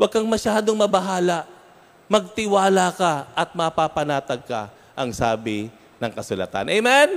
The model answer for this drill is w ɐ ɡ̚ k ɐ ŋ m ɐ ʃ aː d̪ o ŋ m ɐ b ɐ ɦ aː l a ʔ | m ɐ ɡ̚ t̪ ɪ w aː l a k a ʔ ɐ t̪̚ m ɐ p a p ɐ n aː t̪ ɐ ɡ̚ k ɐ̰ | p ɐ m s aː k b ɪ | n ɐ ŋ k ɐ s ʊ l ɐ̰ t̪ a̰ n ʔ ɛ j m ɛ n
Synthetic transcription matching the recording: w ɐ ɡ̚ k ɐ ŋ m ɐ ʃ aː d̪ o ŋ m ɐ b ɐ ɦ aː l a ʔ | m ɐ ɡ̚ t̪ ɪ w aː l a k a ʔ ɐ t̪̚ m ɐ p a p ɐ n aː t̪ ɐ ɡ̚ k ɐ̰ | ʔ ɐ ŋ s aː b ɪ | n ɐ ŋ k ɐ s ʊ l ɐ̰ t̪ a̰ n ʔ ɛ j m ɛ n